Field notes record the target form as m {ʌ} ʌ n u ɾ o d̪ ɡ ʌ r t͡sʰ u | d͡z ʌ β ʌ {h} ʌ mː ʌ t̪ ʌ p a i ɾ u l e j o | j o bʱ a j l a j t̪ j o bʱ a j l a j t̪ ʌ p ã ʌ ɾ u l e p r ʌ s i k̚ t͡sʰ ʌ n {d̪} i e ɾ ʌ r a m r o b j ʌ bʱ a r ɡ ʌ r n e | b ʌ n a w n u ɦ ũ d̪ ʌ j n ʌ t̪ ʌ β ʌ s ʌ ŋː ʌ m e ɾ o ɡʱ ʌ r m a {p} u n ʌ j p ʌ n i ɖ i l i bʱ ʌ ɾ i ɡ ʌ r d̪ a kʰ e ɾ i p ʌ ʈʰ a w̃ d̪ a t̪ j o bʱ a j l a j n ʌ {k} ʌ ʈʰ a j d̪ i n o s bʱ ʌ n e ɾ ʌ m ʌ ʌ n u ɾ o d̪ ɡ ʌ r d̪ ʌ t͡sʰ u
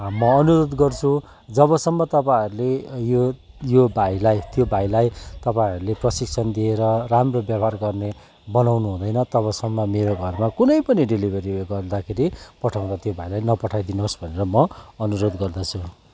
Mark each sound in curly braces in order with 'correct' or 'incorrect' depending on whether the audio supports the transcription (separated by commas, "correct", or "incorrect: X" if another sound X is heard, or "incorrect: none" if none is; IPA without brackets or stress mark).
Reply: correct, incorrect: s, correct, incorrect: k, incorrect: p